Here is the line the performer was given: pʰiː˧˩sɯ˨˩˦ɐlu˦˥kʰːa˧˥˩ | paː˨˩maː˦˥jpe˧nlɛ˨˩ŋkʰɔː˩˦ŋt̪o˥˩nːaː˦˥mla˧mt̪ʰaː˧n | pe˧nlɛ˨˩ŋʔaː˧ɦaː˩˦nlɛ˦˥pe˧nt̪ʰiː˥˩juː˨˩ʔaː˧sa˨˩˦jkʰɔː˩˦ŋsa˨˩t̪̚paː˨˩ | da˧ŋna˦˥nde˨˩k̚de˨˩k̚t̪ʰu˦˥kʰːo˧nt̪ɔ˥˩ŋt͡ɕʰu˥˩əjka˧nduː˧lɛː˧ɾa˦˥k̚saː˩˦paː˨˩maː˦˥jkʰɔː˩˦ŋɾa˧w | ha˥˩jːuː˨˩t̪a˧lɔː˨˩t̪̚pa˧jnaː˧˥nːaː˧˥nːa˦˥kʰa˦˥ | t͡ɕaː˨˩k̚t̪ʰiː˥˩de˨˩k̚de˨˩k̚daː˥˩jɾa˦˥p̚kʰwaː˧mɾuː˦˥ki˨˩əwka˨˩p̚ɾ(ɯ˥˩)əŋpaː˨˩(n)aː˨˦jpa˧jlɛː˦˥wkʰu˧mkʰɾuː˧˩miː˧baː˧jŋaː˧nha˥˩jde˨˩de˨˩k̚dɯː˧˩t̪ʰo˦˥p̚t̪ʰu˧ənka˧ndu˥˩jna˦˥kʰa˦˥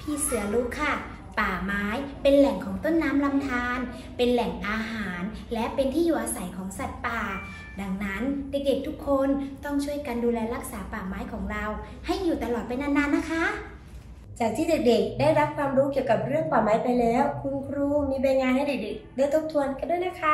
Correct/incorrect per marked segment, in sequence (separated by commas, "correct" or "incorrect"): correct, incorrect